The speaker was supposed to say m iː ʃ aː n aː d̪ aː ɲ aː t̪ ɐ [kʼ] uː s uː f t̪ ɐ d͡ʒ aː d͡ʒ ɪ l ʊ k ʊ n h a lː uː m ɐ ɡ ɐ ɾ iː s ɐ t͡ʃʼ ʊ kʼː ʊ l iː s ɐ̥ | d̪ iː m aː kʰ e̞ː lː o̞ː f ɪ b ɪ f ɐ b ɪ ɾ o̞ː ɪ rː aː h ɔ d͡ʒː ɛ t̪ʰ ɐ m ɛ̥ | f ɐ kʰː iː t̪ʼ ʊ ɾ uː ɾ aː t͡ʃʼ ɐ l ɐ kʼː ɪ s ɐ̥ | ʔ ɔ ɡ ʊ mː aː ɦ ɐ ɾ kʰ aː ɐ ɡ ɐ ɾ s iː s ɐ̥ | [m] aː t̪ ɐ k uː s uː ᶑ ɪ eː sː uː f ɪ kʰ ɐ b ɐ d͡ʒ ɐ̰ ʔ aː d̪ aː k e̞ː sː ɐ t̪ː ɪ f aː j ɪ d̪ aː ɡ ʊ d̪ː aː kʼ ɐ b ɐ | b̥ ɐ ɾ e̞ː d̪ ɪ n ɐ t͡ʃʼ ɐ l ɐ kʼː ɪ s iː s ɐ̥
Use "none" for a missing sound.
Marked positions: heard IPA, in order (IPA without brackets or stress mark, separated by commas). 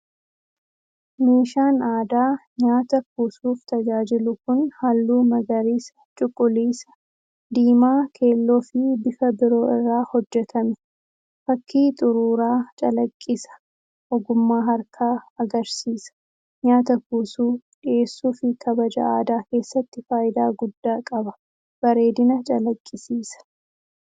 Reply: k, ɲ